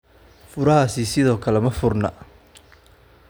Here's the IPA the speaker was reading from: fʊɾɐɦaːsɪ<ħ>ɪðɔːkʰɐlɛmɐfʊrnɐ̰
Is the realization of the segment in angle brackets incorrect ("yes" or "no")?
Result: yes